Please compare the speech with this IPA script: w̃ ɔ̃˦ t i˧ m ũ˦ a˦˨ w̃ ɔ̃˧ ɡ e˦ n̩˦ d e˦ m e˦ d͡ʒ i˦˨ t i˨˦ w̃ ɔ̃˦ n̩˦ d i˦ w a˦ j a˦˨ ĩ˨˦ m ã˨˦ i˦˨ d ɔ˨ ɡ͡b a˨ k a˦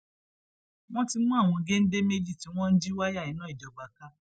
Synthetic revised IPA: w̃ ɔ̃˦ t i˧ m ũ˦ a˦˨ w̃ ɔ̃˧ ɡ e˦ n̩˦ d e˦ m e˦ d͡ʒ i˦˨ t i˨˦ w̃ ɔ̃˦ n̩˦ d͡ʒ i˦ w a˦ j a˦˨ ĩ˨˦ n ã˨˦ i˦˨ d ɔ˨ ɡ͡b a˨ k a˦